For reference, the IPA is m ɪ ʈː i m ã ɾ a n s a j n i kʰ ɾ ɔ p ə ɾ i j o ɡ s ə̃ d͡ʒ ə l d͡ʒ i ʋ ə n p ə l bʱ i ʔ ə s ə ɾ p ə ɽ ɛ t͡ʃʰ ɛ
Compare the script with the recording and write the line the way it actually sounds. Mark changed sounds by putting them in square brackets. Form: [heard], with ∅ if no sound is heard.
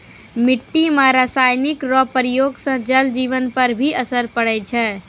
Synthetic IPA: m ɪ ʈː i m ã ɾ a [∅] s a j n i [k] ɾ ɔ p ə ɾ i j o ɡ s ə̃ d͡ʒ ə l d͡ʒ i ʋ ə n p ə [ɾ] bʱ i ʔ ə s ə ɾ p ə ɽ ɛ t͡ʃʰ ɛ